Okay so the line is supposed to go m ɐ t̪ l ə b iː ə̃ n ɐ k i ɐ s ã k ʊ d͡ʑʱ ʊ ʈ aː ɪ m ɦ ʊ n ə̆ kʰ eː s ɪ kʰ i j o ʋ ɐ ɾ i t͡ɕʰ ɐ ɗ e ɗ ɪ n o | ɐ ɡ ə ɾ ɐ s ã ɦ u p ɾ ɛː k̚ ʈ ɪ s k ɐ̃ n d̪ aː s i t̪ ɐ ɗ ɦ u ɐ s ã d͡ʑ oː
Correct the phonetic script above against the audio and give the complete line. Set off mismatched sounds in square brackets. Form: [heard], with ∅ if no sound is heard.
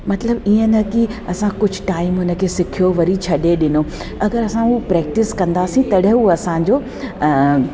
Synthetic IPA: m ɐ t̪ l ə b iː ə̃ n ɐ k i ɐ s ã k ʊ d͡ʑʱ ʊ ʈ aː ɪ m ɦ ʊ n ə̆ kʰ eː s ɪ kʰ i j o ʋ ɐ ɾ i t͡ɕʰ ɐ ɗ e ɗ ɪ n o | ɐ ɡ ə ɾ ɐ s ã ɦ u p ɾ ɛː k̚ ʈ ɪ s k ɐ̃ n d̪ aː s [ĩ] t̪ ɐ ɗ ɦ u ɐ s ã d͡ʑ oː